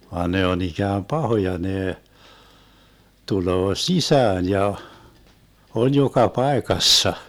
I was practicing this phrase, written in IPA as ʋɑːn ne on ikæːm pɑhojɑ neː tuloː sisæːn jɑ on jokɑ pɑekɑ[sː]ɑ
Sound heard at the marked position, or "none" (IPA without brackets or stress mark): sː